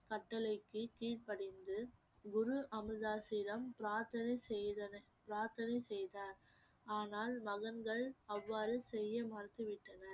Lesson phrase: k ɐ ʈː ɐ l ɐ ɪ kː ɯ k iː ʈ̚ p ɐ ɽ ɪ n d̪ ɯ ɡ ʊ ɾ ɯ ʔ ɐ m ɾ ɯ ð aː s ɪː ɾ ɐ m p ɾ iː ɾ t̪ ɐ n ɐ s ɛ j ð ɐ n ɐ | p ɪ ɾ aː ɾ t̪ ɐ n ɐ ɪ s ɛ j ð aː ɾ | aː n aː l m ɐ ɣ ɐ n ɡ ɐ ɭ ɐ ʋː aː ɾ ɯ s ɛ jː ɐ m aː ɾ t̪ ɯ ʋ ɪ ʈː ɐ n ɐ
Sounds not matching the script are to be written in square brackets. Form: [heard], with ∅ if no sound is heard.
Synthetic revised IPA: k ɐ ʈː ɐ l ɐ ɪ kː ɯ k iː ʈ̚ p ɐ ɽ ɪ n d̪ ɯ ɡ ʊ ɾ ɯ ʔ ɐ m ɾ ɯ ð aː s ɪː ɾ ɐ m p ɾ [aː] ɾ t̪ ɐ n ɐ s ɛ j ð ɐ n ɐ | p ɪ ɾ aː ɾ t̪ ɐ n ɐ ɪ s ɛ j ð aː ɾ | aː n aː l m ɐ ɣ ɐ n ɡ ɐ ɭ ɐ ʋː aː ɾ ɯ s ɛ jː ɐ m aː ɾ t̪ ɯ ʋ ɪ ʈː ɐ n ɐ